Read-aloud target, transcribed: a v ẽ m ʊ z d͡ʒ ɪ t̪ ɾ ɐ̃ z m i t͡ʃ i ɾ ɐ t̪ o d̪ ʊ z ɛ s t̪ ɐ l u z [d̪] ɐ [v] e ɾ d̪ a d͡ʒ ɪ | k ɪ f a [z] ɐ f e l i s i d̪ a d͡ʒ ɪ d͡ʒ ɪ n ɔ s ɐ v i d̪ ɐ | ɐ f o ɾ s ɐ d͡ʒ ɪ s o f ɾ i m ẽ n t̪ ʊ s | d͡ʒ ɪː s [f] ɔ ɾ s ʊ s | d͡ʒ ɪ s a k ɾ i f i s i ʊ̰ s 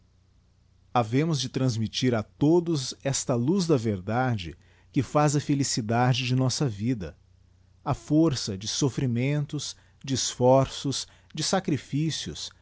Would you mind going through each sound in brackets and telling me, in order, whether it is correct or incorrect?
correct, correct, correct, correct

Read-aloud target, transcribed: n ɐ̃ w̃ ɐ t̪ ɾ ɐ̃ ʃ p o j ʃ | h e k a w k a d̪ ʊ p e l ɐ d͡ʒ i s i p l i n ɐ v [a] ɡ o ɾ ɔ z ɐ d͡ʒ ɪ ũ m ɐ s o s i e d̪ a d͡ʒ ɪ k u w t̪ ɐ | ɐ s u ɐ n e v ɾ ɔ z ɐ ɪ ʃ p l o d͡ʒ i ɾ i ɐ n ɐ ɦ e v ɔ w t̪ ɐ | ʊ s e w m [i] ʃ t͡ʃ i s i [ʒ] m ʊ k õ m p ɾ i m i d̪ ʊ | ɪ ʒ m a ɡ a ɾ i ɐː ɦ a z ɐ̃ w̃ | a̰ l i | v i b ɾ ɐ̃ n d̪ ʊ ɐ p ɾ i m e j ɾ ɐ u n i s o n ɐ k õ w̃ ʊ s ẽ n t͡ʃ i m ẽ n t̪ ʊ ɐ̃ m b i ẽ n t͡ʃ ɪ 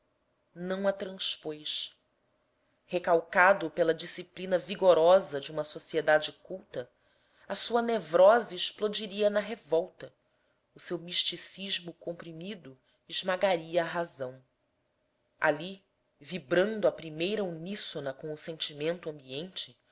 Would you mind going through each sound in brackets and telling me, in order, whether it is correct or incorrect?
incorrect, correct, correct

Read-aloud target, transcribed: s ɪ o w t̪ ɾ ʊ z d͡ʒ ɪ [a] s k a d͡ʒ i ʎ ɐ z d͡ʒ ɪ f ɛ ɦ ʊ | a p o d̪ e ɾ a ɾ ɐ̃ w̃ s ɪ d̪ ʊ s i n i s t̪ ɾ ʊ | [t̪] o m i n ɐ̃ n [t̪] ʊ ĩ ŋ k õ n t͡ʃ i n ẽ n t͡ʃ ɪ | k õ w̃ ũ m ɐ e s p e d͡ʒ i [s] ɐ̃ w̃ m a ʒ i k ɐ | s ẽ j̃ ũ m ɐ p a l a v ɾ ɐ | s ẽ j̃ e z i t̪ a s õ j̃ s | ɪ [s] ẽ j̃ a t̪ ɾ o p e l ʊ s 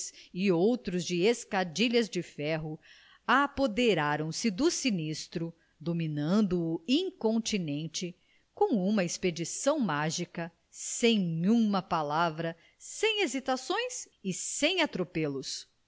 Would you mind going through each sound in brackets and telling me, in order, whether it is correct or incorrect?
incorrect, incorrect, incorrect, correct, correct

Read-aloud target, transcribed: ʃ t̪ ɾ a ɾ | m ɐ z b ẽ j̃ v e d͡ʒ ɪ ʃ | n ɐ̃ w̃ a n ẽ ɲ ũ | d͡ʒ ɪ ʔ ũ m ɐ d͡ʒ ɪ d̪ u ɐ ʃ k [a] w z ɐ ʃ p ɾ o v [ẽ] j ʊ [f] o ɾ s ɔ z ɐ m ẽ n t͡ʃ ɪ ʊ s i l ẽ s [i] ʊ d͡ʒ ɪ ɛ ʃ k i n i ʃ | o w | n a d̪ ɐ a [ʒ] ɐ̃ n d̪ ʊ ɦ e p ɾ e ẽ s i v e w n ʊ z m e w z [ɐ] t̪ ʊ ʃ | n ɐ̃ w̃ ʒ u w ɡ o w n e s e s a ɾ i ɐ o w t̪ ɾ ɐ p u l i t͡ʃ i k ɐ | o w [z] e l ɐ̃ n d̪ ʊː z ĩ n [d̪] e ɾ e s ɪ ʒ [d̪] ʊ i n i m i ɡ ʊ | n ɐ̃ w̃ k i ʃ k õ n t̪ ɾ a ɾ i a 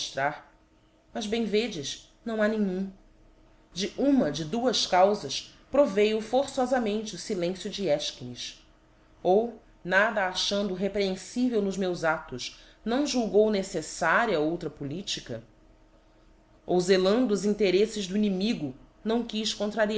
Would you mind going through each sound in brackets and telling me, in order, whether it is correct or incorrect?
correct, incorrect, correct, incorrect, incorrect, incorrect, correct, incorrect, correct

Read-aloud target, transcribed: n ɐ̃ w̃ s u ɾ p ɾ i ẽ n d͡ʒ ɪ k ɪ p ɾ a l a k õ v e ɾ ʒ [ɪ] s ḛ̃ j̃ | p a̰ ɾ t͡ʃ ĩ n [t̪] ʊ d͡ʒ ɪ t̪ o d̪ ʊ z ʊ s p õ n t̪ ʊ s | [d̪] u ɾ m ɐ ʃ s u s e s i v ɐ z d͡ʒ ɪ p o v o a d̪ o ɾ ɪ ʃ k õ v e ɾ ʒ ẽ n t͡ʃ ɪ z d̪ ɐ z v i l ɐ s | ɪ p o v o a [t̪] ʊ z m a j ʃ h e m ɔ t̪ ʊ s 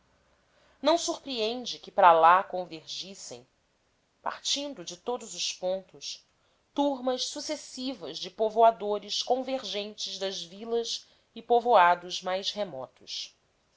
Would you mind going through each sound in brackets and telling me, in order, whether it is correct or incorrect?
incorrect, incorrect, incorrect, incorrect

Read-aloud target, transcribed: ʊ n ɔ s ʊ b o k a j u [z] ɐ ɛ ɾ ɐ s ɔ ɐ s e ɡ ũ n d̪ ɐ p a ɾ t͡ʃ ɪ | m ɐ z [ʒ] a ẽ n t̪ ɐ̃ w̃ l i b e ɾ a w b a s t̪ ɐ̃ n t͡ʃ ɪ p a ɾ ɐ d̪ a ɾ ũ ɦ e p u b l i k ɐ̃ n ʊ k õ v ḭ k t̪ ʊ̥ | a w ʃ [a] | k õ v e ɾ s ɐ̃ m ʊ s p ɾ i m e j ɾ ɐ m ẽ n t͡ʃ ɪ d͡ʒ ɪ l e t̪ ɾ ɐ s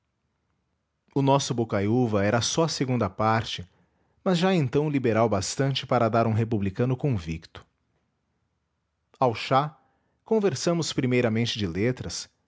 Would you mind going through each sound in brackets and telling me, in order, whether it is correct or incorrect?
incorrect, correct, correct

